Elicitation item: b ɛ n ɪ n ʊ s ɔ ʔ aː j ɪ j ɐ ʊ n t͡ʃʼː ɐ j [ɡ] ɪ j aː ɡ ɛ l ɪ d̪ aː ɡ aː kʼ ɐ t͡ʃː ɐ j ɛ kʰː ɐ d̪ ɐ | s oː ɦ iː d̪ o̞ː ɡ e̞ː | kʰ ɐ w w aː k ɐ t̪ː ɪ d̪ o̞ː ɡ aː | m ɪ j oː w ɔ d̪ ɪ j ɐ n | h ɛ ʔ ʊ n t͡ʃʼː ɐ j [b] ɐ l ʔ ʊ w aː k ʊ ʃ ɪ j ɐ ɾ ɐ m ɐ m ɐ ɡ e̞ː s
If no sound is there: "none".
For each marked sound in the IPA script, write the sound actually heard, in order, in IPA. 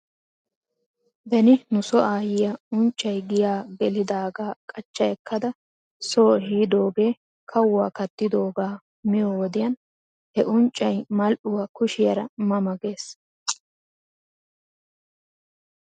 ɡ, m

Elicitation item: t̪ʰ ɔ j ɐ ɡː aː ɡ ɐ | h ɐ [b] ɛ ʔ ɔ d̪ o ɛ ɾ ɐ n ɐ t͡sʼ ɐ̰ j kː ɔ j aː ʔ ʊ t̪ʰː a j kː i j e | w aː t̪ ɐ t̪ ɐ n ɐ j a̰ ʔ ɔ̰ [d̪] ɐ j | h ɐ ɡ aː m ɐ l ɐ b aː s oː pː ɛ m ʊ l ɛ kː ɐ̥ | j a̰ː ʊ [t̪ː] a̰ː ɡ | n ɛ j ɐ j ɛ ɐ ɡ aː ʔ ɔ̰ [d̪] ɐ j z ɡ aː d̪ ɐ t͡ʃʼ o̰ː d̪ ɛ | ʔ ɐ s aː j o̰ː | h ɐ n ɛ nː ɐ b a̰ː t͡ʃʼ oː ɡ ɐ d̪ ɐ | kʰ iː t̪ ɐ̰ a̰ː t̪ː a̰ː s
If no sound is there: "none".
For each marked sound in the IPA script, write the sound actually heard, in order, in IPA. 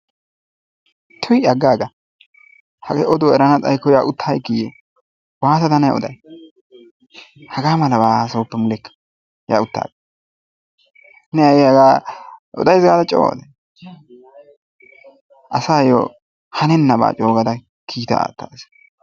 ɡ, d̪, t̪ː, d̪

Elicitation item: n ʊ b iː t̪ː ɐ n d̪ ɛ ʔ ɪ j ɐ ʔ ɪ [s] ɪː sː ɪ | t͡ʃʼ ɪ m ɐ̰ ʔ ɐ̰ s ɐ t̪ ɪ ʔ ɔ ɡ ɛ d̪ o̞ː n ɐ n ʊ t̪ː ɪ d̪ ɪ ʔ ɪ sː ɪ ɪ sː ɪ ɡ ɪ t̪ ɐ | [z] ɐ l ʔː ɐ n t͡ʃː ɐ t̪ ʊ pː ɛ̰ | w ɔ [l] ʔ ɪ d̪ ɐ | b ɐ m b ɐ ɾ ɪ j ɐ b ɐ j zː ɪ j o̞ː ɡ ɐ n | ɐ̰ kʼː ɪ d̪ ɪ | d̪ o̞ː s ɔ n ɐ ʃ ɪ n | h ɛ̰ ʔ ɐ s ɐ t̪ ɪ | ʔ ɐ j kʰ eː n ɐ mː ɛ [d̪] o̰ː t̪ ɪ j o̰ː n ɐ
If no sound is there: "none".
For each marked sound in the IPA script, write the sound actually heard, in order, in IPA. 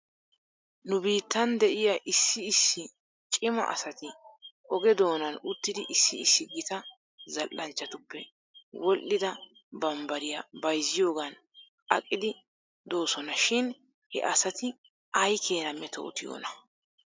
sː, z, l, t̪

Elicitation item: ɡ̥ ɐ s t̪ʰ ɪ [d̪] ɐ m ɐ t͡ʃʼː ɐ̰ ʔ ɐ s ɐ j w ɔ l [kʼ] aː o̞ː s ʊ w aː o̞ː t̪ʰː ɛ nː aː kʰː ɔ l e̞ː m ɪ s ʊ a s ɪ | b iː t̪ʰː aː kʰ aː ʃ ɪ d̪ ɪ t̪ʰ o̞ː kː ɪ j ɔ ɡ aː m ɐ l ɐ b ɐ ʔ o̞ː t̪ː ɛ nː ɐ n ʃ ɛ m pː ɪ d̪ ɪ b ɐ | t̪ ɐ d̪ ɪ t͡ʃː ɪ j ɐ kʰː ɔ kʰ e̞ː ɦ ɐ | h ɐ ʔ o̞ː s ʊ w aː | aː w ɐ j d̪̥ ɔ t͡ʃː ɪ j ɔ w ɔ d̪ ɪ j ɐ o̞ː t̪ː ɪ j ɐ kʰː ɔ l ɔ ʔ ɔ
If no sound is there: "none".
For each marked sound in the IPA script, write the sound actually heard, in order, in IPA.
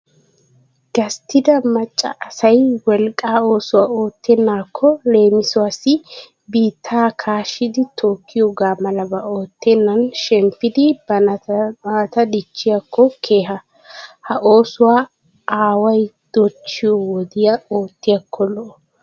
d̪, kʼ

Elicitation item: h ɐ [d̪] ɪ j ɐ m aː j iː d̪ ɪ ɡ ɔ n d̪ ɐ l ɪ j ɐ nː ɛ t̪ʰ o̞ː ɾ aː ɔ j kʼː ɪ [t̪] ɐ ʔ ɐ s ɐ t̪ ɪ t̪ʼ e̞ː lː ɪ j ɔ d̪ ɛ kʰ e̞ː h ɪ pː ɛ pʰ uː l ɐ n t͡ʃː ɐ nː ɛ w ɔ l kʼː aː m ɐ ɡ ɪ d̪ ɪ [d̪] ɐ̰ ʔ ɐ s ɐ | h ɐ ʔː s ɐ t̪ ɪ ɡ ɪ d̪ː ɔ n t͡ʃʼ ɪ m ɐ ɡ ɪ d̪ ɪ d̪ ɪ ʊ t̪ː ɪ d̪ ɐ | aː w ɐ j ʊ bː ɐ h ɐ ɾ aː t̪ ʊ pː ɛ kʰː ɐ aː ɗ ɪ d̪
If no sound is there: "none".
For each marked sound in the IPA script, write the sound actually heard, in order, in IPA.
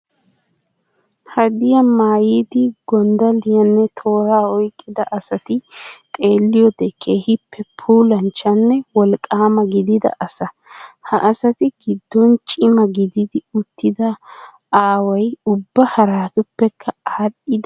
d̪, d̪, d̪

